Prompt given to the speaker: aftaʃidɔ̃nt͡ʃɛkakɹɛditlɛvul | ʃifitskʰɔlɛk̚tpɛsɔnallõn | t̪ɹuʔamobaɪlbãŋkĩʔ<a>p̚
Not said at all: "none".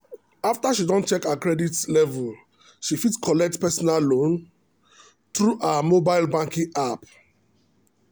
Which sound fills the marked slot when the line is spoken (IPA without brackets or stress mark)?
a